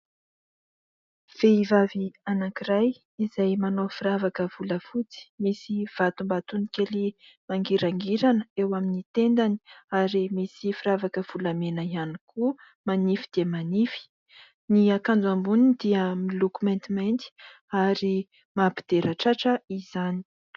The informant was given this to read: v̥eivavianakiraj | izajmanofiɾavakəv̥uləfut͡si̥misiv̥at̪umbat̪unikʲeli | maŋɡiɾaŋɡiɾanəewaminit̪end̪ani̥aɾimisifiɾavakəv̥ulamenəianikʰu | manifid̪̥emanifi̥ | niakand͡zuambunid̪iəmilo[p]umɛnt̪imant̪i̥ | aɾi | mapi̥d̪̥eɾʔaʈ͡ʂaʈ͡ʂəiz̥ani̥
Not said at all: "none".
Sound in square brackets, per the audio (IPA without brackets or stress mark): k